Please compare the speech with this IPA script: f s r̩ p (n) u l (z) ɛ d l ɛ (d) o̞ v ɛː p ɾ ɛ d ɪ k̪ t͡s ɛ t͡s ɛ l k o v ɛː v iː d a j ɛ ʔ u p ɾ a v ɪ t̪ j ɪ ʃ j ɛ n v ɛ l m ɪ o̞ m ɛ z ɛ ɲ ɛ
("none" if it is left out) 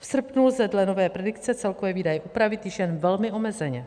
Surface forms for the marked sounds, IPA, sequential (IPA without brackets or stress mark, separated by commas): n, z, n